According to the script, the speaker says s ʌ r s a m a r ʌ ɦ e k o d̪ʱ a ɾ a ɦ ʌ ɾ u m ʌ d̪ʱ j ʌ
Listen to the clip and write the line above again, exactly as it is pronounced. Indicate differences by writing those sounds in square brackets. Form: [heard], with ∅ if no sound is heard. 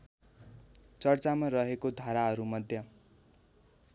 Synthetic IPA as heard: [t͡s] ʌ r [t͡s] a m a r ʌ ɦ e k o d̪ʱ a ɾ a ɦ ʌ ɾ u m ʌ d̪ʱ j ʌ